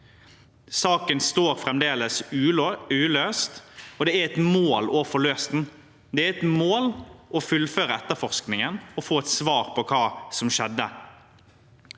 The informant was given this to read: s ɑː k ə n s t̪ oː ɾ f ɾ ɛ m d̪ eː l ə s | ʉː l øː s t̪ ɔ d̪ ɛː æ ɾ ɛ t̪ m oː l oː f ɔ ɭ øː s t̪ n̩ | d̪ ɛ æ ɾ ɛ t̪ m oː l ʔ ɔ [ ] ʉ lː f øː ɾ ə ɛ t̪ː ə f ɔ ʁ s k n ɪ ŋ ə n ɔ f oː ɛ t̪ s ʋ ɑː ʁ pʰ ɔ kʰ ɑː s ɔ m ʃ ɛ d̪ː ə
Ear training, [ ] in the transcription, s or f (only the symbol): f